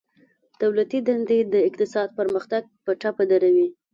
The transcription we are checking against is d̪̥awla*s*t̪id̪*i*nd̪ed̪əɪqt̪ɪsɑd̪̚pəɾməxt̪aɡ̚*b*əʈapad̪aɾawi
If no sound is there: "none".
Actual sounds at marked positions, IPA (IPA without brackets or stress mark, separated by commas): none, a, p